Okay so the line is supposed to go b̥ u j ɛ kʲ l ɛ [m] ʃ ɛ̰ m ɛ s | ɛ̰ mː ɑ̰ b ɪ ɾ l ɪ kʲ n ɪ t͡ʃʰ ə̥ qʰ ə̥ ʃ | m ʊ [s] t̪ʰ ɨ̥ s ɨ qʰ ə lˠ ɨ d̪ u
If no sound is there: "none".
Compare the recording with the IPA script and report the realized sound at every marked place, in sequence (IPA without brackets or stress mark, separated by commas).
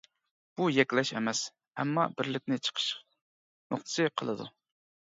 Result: none, χ